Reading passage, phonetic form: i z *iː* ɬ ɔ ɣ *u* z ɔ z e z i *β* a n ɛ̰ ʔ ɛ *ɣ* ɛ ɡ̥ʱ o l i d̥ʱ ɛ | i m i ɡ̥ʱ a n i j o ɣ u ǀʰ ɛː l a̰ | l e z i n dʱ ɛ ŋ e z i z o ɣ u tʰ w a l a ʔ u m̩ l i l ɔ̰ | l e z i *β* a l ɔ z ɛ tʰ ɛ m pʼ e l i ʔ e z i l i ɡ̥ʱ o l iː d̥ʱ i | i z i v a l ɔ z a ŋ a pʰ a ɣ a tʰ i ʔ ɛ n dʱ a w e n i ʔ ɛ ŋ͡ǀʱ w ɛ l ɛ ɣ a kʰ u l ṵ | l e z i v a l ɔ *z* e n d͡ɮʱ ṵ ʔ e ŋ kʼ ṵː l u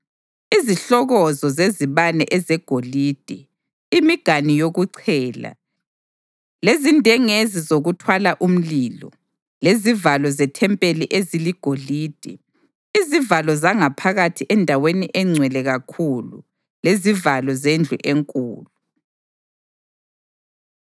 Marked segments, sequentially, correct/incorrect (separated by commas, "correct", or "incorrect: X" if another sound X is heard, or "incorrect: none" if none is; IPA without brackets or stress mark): incorrect: i, incorrect: ɔ, correct, incorrect: z, incorrect: v, correct